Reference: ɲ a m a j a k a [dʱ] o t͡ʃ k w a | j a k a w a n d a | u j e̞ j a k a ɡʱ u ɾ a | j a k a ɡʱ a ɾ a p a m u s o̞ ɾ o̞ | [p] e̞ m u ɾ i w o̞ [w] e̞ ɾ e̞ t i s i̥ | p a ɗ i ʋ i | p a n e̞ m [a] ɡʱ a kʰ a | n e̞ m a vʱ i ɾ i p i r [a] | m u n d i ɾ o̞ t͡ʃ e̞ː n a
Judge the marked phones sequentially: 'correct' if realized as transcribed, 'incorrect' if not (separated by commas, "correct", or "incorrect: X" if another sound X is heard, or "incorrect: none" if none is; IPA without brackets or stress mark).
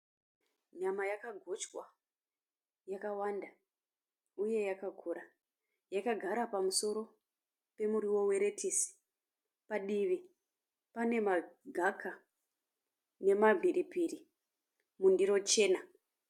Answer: incorrect: ɡʱ, correct, correct, correct, incorrect: i